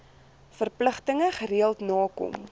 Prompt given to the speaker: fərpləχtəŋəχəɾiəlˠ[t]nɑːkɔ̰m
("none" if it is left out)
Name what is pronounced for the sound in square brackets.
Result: t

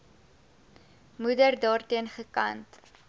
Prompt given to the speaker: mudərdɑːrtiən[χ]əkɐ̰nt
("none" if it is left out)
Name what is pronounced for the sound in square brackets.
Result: χ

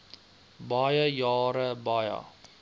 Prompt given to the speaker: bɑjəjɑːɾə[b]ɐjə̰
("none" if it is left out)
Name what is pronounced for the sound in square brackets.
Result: b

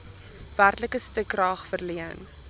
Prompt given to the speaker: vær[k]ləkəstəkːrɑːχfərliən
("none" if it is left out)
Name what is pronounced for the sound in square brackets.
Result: t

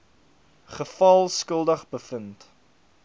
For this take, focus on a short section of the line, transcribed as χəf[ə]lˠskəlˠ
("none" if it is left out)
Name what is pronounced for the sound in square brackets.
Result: ɐ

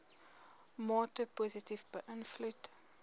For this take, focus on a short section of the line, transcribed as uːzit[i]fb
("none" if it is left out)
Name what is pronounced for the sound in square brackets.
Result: i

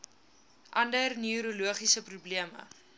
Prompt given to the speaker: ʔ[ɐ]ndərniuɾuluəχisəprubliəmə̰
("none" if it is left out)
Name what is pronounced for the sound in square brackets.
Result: ɐ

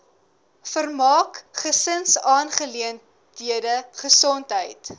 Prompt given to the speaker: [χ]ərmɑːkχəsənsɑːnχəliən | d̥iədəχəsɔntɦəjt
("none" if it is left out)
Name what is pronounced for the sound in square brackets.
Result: f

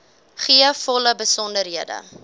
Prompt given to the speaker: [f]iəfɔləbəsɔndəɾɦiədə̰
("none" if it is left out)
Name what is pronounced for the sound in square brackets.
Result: χ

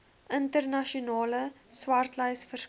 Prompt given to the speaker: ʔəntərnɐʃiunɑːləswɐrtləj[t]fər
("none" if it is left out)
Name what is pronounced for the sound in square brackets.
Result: s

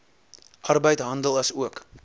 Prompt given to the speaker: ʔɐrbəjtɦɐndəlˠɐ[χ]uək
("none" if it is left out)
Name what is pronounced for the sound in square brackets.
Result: s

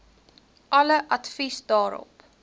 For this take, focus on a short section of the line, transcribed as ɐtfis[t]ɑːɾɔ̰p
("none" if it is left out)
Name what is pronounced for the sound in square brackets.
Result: d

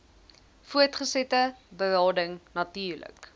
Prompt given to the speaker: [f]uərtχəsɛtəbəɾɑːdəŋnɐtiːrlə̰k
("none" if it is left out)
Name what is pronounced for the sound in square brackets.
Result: f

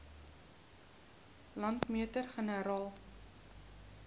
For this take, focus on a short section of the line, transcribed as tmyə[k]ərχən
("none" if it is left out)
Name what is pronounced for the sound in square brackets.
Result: t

